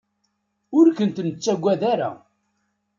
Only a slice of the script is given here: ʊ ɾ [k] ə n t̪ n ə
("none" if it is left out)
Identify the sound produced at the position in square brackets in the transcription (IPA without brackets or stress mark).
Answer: k